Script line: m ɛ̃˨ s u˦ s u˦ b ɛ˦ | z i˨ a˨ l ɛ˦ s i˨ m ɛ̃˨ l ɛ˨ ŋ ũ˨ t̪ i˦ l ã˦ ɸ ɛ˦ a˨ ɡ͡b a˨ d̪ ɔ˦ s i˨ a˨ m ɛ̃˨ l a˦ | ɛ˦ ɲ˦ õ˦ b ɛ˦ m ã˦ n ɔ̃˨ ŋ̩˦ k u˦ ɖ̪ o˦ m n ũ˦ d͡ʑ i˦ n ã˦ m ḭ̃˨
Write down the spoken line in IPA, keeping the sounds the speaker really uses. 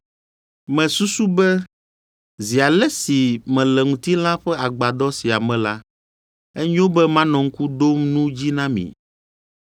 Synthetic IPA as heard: m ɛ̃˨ s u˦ s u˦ b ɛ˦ | z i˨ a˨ l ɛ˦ s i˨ m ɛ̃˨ l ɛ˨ ŋ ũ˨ t̪ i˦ l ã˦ ɸ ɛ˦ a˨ ɡ͡b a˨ d̪ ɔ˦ s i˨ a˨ m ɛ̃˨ l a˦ | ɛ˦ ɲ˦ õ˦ b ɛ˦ m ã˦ n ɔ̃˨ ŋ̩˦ k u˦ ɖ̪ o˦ m n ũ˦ d͡ʑ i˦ n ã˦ m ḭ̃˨